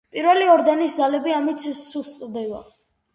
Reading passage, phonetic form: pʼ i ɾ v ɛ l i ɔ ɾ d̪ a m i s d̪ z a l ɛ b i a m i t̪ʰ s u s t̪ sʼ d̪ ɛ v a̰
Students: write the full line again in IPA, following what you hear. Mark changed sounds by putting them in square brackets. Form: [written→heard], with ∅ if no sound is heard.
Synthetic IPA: pʼ i ɾ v ɛ l i ɔ ɾ d̪ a [m→n] i s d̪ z a l ɛ b i a m i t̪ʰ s u s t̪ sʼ d̪ ɛ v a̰

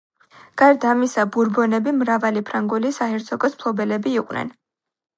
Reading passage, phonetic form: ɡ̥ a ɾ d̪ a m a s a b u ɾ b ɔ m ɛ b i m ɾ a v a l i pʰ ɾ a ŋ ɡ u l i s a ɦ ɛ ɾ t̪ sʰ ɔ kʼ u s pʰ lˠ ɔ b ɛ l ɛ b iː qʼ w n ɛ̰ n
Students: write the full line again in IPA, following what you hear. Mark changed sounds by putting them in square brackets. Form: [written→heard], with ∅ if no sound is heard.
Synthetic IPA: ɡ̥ a ɾ d̪ a m [a→i] s a b u ɾ b ɔ [m→n] ɛ b i m ɾ a v a l i pʰ ɾ a ŋ ɡ u l i s a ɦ ɛ ɾ t̪ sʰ ɔ kʼ [u→ɔ] s pʰ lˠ ɔ b ɛ l ɛ b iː qʼ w n ɛ̰ n

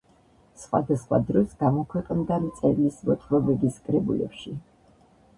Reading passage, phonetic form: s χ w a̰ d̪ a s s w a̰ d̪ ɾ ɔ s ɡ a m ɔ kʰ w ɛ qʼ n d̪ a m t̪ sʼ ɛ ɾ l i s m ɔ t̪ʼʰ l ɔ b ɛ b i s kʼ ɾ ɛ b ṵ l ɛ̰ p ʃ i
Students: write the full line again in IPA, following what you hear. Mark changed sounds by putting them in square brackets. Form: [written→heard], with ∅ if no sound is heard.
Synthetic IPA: s χ w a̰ d̪ a s [s→χ] w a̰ d̪ ɾ ɔ s ɡ a m ɔ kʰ w ɛ qʼ n d̪ a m t̪ sʼ ɛ ɾ l i s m ɔ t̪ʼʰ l ɔ b ɛ b i s kʼ ɾ ɛ b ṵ l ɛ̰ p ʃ i

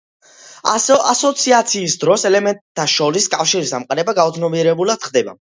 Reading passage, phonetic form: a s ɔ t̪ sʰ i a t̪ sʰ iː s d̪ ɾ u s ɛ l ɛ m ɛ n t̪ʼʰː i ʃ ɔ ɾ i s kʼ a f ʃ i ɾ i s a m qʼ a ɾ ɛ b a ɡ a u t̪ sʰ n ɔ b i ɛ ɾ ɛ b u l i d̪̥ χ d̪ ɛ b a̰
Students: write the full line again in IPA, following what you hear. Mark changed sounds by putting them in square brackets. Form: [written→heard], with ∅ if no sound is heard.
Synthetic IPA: a s ɔ t̪ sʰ i a t̪ sʰ iː s d̪ ɾ [u→ɔ] s ɛ l ɛ m ɛ n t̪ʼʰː [i→a] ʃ ɔ ɾ i s kʼ a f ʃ i ɾ i s a m qʼ a ɾ ɛ b a ɡ a u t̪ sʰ n ɔ b i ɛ ɾ ɛ b u l [i→a] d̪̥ χ d̪ ɛ b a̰

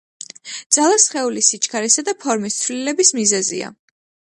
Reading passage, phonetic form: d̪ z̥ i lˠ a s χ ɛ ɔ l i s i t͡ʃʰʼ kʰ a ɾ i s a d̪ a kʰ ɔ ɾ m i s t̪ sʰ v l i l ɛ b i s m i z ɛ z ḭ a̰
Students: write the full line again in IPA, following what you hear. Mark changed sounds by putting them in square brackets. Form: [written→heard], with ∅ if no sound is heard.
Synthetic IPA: d̪ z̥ [i→a] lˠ a s χ ɛ [ɔ→u] l i s i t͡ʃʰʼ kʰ a ɾ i s a d̪ a [kʰ→pʰ] ɔ ɾ m i s t̪ sʰ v l i l ɛ b i s m i z ɛ z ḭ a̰

